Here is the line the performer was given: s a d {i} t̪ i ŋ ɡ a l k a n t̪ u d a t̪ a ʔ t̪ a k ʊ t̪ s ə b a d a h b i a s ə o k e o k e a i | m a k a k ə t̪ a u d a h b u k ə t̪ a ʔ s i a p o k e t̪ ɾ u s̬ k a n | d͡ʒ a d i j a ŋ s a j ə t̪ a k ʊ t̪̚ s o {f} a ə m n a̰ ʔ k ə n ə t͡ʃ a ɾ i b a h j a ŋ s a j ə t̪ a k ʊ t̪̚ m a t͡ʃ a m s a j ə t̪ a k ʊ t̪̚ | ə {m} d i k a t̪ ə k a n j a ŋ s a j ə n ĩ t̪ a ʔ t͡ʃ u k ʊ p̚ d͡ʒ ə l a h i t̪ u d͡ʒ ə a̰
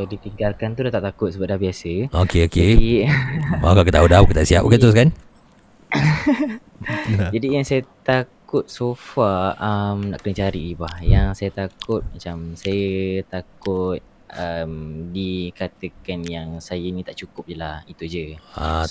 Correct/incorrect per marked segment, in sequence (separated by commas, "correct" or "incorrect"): correct, correct, correct